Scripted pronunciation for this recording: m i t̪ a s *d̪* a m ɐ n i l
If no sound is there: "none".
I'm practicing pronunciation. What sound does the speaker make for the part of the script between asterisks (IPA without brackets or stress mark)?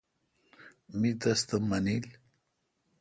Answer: t̪